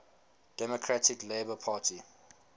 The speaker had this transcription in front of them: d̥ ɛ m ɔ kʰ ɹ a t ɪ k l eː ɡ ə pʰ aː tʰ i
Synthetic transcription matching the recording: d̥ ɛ m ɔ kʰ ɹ a t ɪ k l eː b ə pʰ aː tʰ i